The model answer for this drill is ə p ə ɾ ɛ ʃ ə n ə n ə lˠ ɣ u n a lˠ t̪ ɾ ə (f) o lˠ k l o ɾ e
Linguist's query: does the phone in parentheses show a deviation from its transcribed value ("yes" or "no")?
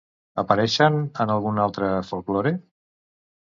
no